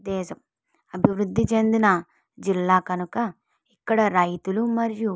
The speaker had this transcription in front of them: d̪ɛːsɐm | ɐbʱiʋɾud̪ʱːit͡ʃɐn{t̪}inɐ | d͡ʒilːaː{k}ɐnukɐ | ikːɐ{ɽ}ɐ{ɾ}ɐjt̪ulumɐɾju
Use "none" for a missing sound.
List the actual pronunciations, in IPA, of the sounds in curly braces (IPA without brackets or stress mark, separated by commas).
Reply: d̪, k, ɽ, ɾ